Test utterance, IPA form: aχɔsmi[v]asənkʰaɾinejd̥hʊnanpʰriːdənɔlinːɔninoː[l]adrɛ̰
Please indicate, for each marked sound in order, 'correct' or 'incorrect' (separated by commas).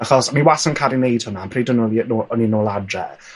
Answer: incorrect, correct